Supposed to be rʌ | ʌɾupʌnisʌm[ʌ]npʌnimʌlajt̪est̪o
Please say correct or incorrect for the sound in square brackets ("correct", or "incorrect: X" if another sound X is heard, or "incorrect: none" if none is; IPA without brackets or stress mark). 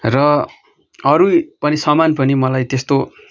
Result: incorrect: a